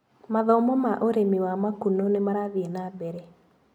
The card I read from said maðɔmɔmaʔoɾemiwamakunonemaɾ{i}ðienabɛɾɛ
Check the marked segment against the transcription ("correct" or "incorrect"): incorrect